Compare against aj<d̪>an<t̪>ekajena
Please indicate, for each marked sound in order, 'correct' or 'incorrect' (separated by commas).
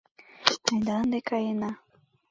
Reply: correct, incorrect